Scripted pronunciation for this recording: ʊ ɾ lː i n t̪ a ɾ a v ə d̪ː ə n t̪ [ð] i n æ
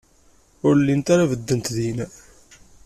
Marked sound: correct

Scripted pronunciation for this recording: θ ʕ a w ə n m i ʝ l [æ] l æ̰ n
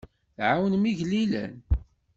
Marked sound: incorrect: i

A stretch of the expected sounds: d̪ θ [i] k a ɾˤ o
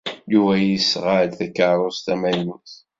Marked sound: incorrect: æ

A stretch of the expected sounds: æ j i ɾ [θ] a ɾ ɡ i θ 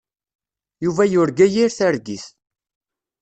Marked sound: correct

